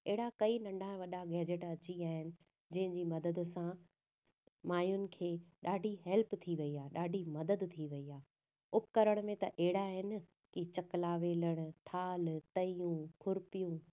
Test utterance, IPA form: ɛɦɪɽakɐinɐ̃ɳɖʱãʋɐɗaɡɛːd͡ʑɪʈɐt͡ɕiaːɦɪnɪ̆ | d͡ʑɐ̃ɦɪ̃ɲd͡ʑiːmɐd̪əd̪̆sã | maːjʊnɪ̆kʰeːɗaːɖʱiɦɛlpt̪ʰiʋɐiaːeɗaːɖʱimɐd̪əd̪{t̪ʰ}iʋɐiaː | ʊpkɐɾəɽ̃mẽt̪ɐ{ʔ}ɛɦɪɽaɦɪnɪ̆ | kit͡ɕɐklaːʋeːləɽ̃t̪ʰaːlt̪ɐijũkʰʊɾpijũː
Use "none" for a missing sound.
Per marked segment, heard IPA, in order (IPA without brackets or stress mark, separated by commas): t̪ʰ, ʔ